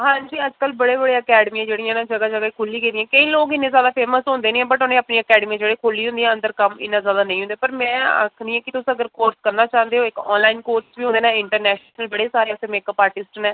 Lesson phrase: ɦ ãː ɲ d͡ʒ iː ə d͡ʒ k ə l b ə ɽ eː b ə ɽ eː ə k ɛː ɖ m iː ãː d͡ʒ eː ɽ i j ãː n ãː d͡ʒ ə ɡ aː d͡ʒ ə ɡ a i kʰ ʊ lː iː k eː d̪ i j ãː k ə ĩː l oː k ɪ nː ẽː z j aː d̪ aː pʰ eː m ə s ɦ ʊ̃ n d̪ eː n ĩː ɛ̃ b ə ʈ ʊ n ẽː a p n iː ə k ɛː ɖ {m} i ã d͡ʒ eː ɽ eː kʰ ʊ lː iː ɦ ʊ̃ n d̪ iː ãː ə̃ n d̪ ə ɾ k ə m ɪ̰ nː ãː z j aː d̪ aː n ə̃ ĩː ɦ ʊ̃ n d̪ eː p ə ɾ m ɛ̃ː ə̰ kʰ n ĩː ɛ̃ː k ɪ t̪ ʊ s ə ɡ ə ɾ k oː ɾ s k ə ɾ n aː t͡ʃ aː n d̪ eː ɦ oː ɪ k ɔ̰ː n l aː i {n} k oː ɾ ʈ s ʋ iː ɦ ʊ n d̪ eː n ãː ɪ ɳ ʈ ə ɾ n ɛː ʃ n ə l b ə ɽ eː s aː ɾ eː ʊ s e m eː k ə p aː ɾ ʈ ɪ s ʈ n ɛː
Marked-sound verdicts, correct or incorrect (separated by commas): correct, correct